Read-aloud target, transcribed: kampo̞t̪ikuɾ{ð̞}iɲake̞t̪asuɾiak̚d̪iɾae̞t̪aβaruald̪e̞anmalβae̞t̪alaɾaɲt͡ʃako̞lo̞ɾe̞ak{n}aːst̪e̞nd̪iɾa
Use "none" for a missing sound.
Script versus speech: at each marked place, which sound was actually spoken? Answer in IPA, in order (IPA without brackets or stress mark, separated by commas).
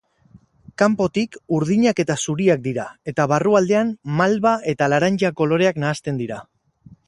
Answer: ð̞, n